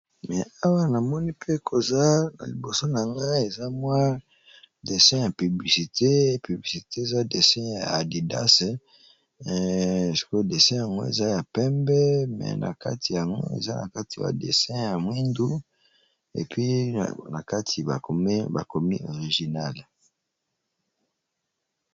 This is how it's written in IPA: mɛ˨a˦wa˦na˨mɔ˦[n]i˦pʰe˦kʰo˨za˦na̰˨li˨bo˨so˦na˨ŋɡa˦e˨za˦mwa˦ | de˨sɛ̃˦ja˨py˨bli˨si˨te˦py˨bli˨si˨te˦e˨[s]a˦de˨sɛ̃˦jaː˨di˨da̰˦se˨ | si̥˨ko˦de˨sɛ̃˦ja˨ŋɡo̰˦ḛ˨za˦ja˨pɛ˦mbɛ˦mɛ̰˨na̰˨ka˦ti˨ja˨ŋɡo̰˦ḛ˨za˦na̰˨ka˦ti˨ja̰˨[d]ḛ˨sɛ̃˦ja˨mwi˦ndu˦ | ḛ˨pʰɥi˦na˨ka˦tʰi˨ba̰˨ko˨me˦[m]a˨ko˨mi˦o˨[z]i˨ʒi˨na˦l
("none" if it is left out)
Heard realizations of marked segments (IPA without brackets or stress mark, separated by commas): n, z, d, b, ʁ